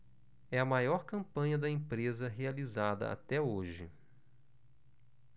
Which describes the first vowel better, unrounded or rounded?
unrounded